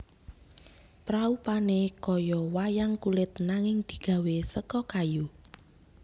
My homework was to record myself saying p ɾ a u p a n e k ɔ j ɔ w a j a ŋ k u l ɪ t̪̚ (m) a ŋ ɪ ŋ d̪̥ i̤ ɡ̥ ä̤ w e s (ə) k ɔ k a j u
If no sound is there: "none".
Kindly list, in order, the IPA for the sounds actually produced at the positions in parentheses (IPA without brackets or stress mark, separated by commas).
n, ə